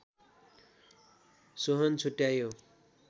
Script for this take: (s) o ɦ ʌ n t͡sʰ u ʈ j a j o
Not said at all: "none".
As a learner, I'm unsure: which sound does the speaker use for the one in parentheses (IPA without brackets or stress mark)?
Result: s